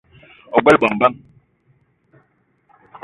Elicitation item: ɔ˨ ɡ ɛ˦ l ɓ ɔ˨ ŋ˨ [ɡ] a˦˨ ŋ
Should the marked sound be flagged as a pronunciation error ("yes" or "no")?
yes